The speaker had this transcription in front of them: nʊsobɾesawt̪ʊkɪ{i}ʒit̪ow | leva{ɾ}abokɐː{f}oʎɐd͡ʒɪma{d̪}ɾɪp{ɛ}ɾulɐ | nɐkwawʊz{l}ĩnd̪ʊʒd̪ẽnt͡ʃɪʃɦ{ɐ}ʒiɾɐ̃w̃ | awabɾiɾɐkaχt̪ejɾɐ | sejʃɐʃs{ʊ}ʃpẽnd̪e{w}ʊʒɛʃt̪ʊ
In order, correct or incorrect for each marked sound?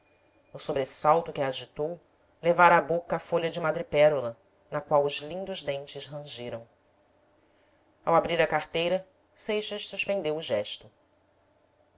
incorrect: a, correct, correct, correct, correct, correct, incorrect: ɐ̃, incorrect: u, correct

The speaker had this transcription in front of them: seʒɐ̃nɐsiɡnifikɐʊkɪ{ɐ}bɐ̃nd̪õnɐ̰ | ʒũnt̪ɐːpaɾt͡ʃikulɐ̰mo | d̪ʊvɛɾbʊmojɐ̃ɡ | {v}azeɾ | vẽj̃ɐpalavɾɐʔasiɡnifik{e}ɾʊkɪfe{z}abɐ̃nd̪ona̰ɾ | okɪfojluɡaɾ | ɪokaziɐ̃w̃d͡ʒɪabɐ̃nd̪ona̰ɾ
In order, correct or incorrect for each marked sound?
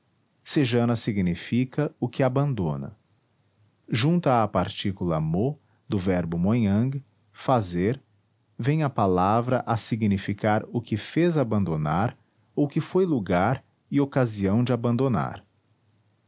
incorrect: a, incorrect: f, incorrect: a, correct

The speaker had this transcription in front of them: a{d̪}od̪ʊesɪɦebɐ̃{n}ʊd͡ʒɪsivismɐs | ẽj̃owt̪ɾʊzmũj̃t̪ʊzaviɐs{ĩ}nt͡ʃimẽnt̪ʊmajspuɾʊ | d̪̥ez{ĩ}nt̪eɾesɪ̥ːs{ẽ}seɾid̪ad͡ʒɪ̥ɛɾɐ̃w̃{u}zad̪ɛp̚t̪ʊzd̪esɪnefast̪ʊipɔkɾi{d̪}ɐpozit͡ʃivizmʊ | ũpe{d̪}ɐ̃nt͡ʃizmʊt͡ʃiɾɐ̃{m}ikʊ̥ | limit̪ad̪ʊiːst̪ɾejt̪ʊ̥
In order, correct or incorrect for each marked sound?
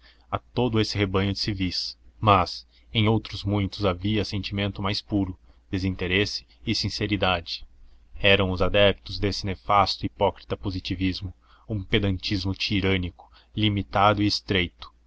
incorrect: t̪, incorrect: ɲ, incorrect: ẽ, correct, incorrect: ĩ, incorrect: ʊ, incorrect: t̪, correct, incorrect: n

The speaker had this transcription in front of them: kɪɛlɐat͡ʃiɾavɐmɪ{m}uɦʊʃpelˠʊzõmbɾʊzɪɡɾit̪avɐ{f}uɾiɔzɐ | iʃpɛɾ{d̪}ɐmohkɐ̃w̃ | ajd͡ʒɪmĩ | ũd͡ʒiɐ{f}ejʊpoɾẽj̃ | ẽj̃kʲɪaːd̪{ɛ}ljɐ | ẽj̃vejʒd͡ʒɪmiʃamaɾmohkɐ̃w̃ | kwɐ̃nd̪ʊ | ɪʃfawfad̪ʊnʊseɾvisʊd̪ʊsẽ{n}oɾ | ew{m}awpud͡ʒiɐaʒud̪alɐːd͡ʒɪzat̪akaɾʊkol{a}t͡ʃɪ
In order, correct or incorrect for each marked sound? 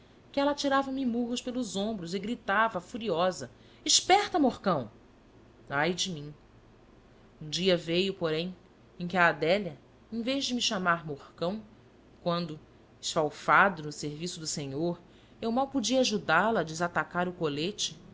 correct, correct, incorrect: t̪, incorrect: v, correct, incorrect: ɲ, correct, incorrect: e

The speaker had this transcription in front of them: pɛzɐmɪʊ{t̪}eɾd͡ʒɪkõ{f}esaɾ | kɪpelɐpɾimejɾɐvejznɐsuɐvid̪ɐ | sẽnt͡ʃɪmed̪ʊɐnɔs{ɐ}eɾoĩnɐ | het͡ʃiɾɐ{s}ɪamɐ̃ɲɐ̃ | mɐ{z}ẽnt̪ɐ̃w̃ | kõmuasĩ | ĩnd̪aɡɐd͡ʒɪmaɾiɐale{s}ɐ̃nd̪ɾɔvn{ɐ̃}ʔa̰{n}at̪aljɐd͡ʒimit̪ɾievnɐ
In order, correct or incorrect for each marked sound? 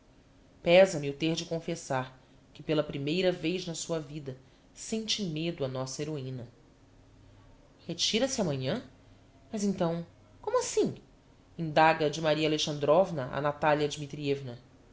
correct, correct, correct, correct, correct, incorrect: ʃ, incorrect: ɐ, correct

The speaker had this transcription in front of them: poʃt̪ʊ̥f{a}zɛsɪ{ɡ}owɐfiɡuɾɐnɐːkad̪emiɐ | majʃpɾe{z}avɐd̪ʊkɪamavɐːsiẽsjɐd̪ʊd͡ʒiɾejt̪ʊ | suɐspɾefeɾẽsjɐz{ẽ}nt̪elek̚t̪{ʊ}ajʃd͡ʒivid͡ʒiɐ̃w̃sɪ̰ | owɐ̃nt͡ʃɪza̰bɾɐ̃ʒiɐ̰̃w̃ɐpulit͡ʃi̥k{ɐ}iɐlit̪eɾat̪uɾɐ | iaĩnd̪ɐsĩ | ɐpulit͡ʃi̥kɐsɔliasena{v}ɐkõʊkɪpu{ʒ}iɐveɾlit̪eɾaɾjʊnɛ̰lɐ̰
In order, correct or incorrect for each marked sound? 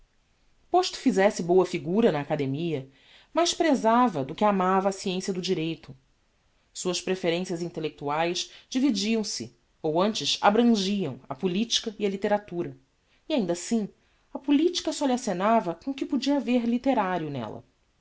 incorrect: i, incorrect: b, correct, incorrect: ĩ, incorrect: u, correct, correct, incorrect: d͡ʒ

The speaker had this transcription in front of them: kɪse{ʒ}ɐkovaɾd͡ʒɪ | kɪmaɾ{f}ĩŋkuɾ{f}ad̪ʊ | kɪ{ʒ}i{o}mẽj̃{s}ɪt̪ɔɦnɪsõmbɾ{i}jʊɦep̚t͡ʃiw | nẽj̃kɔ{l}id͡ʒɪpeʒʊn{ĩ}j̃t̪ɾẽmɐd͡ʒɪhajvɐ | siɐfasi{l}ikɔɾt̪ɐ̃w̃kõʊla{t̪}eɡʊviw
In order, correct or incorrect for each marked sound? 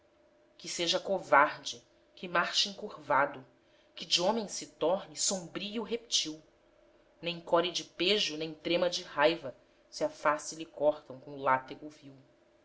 correct, incorrect: ʃ, incorrect: v, incorrect: d͡ʒ, incorrect: õ, correct, correct, incorrect: ɾ, incorrect: ẽ, correct, correct

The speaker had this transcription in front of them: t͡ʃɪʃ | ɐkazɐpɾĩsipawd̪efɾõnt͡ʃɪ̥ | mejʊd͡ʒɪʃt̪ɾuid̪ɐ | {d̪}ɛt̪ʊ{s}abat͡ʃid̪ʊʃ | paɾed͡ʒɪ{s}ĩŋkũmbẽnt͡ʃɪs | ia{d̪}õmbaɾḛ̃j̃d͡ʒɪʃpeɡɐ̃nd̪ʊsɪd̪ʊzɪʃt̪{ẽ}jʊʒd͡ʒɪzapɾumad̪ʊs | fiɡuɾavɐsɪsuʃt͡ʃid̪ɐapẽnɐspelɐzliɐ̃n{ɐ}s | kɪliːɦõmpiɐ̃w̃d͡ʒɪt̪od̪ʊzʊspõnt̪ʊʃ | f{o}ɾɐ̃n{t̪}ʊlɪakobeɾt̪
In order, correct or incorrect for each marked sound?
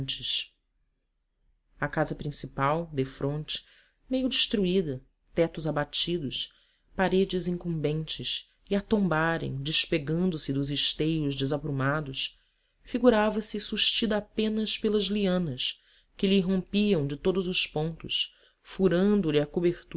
incorrect: t̪, incorrect: z, incorrect: z, incorrect: t̪, incorrect: e, correct, incorrect: u, incorrect: d̪

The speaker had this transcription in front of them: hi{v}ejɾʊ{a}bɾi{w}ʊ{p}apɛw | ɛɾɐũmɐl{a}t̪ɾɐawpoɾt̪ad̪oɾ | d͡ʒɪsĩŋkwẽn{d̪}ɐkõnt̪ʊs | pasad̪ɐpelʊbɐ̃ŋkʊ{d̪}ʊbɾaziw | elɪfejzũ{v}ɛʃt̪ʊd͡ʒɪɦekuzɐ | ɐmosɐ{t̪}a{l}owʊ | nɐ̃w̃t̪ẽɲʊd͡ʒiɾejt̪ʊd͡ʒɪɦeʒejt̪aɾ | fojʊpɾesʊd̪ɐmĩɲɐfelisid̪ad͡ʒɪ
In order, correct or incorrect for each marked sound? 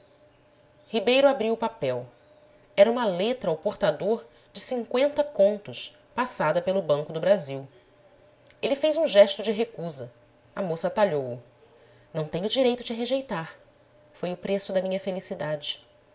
incorrect: b, correct, correct, correct, incorrect: e, incorrect: t̪, correct, incorrect: ʒ, correct, incorrect: ʎ

